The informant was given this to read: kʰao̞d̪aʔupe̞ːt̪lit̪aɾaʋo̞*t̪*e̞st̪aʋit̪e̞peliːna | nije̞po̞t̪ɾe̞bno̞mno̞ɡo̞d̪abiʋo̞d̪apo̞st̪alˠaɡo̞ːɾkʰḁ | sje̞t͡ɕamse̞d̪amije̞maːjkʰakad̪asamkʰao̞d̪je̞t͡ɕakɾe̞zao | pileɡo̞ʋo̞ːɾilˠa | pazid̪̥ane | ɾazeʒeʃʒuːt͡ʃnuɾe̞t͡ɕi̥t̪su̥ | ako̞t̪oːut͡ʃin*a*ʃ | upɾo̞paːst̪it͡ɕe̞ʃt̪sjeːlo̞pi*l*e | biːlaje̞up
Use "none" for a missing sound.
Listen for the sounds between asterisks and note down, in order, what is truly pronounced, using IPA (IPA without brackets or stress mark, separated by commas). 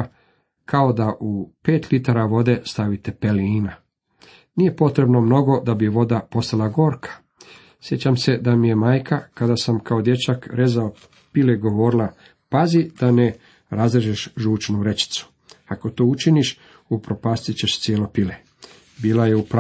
d̪, i, l